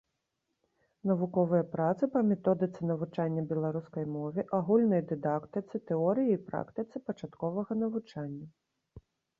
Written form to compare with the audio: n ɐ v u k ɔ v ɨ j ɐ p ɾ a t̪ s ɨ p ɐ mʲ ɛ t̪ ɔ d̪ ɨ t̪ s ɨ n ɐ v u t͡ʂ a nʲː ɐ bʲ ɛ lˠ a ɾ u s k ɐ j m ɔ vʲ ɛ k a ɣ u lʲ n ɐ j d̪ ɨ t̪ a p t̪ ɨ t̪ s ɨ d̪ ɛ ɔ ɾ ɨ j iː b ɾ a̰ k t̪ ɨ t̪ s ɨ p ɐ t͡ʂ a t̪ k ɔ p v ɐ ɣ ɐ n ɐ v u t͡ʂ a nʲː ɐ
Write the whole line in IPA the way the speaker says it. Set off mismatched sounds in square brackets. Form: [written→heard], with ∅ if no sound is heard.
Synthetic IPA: n ɐ v u k ɔ v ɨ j ɐ p ɾ a t̪ s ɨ p ɐ mʲ ɛ t̪ ɔ d̪ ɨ t̪ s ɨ n ɐ v u t͡ʂ a nʲː ɐ bʲ ɛ lˠ a ɾ u s k ɐ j m ɔ vʲ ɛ [k→ʔ] a ɣ u lʲ n ɐ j d̪ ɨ [t̪→d̪] a [p→k] t̪ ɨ t̪ s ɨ [d̪→t̪] ɛ ɔ ɾ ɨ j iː [b→p] ɾ a̰ k t̪ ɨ t̪ s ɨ p ɐ t͡ʂ a t̪ k ɔ [p→∅] v ɐ ɣ ɐ n ɐ v u t͡ʂ a nʲː ɐ